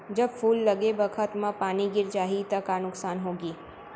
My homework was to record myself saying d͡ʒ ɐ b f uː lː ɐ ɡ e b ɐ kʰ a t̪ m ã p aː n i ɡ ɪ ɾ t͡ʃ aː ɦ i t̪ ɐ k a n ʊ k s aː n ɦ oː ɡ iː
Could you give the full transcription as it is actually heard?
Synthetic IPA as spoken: d͡ʒ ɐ b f uː lː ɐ ɡ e b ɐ kʰ ə t̪ m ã p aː n i ɡ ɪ ɾ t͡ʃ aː ɦ i t̪ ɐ k a n ʊ k s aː n ɦ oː ɡ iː